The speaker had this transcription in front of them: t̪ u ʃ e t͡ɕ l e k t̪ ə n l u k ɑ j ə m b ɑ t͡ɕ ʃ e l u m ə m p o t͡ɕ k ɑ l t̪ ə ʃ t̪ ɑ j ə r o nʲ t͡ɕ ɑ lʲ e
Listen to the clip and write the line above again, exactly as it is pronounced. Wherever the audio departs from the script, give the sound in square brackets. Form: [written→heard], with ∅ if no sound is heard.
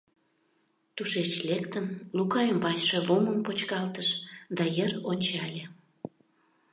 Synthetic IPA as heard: t̪ u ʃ e t͡ɕ l e k t̪ ə n l u k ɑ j ə m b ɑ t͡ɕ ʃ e l u m ə m p o t͡ɕ k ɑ l t̪ ə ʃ [t̪→d̪] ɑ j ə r o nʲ t͡ɕ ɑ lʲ e